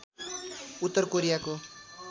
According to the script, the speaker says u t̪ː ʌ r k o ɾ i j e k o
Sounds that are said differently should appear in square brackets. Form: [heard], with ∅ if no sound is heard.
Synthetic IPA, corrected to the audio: u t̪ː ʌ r k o ɾ i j [a] k o